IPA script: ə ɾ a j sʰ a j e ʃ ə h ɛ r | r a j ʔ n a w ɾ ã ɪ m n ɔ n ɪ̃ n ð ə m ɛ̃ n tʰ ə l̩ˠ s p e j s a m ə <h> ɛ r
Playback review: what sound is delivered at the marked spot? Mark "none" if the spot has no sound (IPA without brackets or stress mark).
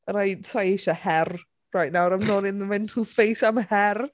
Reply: h